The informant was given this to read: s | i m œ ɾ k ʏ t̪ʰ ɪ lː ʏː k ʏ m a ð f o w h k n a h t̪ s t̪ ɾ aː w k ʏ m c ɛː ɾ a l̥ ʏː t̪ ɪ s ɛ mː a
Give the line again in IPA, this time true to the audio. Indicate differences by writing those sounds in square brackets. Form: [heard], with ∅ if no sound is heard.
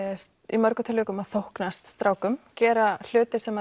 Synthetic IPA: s | i m œ ɾ k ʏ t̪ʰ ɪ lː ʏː k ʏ m a ð [θ] o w h k n a [s] t̪ s t̪ ɾ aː w k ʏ m c ɛː ɾ a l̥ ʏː t̪ ɪ s ɛ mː a